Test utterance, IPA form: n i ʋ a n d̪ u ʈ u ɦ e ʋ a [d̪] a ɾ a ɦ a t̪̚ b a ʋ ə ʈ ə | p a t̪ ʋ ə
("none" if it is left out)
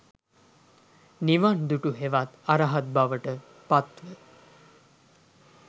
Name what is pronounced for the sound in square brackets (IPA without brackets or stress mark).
t̪